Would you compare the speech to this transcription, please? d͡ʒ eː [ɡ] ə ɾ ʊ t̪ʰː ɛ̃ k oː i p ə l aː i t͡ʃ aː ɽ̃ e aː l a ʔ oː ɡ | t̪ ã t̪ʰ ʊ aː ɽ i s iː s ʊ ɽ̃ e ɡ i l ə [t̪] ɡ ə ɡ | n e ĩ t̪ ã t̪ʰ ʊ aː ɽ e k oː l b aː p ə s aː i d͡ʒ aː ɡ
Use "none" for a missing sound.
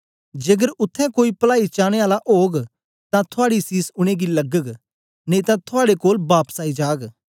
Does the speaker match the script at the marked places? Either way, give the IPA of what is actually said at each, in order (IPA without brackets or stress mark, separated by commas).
ɡ, none